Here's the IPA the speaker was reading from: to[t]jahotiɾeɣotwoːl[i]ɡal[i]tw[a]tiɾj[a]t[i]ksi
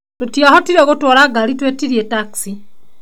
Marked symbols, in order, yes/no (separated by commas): yes, no, yes, no, no, no